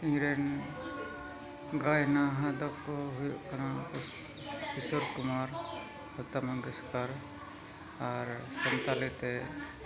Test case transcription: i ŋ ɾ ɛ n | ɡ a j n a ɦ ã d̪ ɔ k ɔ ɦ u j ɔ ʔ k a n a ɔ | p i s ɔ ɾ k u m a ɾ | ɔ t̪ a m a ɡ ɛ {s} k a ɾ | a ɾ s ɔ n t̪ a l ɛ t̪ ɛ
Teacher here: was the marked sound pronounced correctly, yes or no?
yes